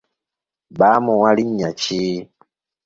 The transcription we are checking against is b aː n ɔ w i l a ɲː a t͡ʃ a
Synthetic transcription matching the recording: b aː m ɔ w a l i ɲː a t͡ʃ i